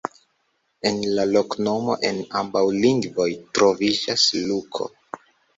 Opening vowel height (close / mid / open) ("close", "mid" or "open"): mid